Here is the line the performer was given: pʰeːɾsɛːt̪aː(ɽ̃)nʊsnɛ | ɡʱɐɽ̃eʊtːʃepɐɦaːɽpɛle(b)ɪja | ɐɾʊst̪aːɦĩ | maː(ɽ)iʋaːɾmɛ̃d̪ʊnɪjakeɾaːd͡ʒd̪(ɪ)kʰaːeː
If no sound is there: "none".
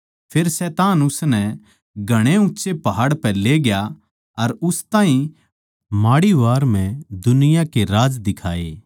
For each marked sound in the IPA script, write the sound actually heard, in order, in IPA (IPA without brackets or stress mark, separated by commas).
none, ɡ, ɽ, ɪ